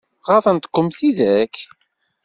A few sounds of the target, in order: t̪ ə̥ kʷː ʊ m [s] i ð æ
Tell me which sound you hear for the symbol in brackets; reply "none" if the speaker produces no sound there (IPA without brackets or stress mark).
θ